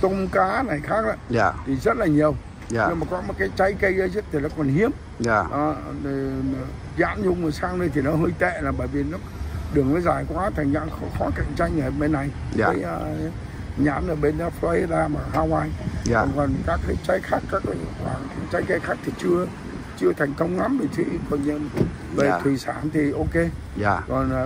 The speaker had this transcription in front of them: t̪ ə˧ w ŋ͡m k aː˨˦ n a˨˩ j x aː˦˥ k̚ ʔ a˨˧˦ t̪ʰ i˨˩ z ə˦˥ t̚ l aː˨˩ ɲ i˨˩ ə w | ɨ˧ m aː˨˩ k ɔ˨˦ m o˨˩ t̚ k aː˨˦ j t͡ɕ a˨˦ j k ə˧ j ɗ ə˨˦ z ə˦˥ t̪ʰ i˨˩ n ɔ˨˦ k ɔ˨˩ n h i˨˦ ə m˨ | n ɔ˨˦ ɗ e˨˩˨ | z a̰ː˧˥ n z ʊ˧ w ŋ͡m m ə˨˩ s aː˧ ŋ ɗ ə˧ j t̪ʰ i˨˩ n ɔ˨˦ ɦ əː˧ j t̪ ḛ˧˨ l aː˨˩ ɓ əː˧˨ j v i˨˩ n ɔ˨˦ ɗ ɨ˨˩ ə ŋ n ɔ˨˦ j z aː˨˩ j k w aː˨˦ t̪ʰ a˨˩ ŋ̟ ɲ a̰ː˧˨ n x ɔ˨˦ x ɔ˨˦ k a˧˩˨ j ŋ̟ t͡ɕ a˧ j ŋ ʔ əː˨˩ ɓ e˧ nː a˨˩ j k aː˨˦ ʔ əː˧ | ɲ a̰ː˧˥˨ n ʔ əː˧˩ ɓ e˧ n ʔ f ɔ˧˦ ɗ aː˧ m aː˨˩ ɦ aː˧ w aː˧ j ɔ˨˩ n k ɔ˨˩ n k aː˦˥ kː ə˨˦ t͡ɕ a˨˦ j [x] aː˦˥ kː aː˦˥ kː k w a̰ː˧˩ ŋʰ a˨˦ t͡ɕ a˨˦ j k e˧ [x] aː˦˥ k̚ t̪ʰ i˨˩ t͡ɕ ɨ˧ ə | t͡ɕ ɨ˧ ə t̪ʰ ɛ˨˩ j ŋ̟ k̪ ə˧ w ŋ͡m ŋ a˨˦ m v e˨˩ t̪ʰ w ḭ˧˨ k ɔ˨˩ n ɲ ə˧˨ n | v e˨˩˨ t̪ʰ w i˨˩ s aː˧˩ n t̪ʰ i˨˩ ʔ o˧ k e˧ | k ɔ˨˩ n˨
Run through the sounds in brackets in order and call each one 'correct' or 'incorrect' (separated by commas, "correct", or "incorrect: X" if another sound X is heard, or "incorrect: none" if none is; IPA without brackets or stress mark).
correct, correct